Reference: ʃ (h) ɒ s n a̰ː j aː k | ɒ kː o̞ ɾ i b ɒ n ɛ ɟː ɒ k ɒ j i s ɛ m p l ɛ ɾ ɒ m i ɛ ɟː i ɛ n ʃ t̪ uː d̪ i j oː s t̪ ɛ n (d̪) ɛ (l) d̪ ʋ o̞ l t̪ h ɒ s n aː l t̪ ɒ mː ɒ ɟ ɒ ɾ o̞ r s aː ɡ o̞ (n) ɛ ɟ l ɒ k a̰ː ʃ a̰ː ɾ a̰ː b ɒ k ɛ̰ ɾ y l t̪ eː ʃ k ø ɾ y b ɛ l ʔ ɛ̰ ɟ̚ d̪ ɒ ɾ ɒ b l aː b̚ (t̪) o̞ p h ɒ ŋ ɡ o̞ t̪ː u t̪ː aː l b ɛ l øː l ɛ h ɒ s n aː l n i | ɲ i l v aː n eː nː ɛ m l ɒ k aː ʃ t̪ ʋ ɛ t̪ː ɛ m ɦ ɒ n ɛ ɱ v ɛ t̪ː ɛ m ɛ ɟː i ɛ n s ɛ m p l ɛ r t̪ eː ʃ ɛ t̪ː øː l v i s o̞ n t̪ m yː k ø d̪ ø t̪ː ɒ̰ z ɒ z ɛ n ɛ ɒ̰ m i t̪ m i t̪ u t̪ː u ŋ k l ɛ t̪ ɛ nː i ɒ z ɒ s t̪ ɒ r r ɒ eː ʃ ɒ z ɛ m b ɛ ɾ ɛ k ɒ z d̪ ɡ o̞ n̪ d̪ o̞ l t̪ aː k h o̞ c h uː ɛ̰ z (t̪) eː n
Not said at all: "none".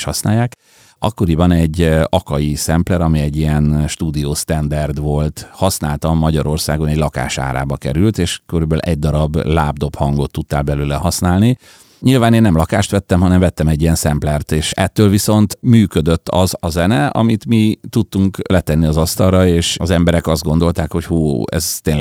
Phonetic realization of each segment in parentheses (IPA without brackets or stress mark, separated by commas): h, d̪, r, n, d̪, t̪